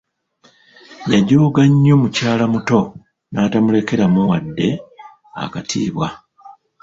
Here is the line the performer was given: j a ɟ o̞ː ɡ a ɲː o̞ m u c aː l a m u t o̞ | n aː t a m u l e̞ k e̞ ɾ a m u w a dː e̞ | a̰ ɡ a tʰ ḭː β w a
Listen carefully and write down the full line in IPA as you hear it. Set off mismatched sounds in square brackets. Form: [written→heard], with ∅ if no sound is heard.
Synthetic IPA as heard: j a ɟ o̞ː ɡ a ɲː o̞ m u c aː l a m u t o̞ | n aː t a m u l e̞ k e̞ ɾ a m u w a dː e̞ | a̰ [ɡ→k] a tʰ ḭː β w a